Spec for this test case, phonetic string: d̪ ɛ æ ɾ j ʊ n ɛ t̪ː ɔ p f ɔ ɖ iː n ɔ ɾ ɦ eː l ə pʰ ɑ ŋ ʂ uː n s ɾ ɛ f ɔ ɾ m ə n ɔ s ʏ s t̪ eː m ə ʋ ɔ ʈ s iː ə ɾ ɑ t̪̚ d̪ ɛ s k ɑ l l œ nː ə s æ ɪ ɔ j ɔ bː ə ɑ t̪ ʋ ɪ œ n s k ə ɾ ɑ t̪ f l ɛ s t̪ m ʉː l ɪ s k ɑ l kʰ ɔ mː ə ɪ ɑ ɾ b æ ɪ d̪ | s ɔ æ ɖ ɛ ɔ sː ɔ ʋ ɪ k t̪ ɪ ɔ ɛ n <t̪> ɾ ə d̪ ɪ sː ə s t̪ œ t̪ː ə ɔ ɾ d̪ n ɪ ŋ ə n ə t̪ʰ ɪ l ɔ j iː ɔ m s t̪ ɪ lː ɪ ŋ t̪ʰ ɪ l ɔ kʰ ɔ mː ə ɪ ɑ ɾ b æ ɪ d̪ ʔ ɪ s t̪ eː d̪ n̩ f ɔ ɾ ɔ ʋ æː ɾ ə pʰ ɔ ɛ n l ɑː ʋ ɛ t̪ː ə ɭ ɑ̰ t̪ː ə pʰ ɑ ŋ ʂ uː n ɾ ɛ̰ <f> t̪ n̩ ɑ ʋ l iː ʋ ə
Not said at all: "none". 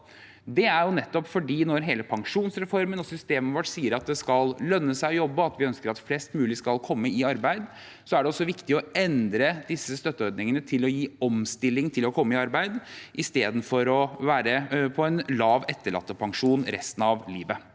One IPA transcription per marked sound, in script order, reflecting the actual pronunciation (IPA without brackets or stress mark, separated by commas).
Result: d̪, s